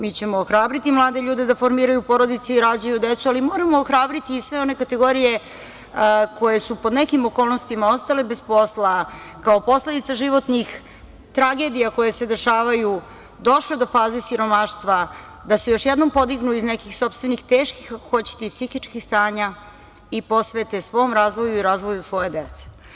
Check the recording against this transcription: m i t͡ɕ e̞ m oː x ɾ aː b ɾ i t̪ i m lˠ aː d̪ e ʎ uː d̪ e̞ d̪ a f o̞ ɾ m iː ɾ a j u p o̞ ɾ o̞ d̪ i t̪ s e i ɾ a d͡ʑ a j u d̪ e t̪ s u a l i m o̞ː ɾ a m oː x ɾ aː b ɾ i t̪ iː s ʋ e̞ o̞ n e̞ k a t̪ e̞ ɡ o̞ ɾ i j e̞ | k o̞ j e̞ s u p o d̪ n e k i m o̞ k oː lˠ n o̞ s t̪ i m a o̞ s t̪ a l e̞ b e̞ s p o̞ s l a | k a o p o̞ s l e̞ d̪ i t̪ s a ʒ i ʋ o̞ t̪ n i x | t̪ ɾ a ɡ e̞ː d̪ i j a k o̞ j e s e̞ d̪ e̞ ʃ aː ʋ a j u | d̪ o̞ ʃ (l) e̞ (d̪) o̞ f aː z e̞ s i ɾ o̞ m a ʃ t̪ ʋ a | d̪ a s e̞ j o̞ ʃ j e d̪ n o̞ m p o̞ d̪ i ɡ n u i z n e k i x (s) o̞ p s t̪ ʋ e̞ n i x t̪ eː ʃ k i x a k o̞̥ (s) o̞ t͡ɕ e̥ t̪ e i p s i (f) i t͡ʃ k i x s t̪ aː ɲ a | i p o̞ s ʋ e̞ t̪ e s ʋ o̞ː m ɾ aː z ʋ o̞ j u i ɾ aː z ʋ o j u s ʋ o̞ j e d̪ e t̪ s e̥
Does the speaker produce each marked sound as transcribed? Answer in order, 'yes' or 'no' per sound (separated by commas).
yes, yes, yes, no, no